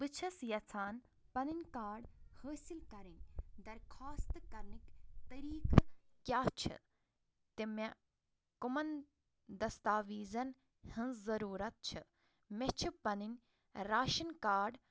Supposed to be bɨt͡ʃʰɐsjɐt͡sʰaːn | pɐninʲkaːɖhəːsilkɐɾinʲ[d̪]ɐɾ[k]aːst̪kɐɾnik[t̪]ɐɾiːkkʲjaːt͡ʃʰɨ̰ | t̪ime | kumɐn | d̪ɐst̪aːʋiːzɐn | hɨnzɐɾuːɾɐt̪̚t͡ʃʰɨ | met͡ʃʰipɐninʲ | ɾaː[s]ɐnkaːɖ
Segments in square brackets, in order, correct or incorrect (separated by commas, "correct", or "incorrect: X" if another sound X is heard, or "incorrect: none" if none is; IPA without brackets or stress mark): correct, incorrect: kʰ, correct, incorrect: ʃ